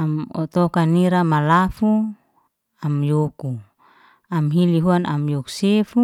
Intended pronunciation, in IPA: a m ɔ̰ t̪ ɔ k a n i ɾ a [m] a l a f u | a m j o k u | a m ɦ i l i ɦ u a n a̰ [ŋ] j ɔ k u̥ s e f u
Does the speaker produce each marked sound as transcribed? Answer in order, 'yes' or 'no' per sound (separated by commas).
yes, no